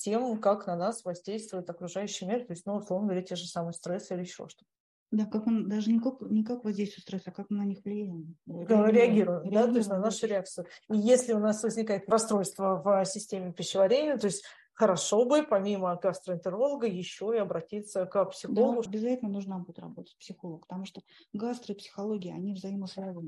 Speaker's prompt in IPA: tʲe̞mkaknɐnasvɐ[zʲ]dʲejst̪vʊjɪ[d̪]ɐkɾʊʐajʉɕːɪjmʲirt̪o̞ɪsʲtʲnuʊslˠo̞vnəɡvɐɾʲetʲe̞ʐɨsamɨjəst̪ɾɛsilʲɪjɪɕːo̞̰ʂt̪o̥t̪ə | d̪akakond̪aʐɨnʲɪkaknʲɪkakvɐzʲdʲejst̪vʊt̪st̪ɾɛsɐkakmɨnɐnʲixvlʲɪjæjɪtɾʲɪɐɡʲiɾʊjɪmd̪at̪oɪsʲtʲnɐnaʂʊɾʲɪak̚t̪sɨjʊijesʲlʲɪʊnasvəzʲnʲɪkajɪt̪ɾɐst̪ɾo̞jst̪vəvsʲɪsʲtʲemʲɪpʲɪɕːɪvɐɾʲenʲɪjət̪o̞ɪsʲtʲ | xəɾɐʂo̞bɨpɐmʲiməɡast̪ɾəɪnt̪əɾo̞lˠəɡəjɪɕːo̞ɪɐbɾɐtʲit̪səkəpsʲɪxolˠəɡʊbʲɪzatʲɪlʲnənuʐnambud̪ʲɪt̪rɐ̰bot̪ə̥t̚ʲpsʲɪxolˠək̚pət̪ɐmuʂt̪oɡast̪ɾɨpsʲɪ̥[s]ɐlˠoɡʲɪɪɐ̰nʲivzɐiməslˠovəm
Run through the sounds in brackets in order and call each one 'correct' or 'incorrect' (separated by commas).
correct, incorrect, incorrect